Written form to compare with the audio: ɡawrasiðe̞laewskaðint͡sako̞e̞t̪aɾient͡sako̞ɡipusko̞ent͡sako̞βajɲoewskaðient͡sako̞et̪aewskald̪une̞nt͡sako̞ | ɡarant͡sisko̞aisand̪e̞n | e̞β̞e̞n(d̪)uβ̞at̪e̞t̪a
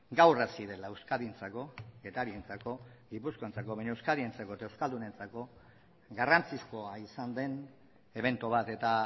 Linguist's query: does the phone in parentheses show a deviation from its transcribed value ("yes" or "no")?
yes